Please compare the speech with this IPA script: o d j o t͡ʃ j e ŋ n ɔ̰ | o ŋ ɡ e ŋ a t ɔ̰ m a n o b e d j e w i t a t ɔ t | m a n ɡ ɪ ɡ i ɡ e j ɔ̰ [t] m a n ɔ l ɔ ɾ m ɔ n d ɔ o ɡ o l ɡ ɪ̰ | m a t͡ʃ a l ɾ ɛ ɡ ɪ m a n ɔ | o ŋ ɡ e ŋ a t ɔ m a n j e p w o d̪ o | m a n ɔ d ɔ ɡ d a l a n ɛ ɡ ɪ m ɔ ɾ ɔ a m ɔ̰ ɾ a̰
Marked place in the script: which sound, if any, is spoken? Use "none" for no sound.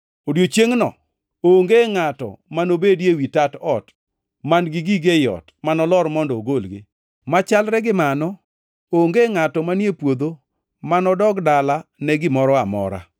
t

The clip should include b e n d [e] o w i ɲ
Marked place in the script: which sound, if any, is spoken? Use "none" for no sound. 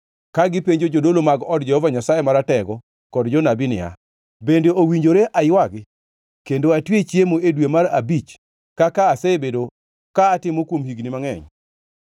e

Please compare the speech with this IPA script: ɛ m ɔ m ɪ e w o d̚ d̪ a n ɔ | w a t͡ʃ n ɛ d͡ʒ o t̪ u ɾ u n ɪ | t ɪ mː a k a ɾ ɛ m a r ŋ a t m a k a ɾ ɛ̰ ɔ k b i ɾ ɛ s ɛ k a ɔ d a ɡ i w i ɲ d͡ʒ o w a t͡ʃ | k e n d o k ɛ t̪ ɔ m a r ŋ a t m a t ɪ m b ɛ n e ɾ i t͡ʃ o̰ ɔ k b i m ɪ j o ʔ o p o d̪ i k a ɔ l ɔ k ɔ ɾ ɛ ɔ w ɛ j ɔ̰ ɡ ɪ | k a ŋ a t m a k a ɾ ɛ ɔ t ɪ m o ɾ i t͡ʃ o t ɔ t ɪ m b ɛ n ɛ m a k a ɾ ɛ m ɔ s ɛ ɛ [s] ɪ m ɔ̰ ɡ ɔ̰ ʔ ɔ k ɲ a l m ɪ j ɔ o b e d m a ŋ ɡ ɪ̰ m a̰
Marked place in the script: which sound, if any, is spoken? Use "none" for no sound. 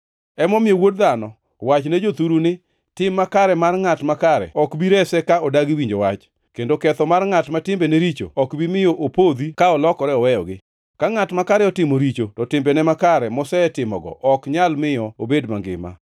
t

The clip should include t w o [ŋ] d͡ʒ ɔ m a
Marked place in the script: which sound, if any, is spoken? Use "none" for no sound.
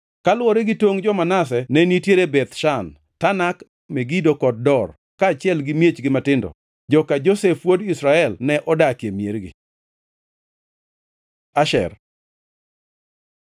ŋ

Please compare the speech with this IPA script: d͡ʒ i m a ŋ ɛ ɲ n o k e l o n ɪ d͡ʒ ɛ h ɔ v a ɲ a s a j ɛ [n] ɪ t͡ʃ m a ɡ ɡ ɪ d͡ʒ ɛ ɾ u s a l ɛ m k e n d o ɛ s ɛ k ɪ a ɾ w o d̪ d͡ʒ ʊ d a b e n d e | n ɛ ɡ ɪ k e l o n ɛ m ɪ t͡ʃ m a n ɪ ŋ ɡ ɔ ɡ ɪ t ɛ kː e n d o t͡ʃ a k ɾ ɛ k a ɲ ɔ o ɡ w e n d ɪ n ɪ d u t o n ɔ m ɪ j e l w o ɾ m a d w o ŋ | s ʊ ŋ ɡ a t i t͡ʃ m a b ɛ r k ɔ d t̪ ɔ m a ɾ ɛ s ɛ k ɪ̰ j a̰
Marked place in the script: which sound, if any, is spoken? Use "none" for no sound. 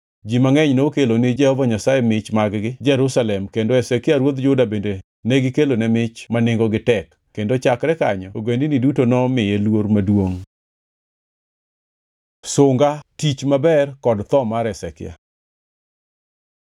m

